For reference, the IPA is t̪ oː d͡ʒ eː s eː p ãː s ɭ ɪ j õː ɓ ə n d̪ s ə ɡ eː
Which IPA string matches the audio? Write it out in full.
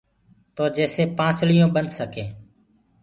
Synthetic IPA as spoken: t̪ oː d͡ʒ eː s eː p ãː s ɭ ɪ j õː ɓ ə n d̪ s ə k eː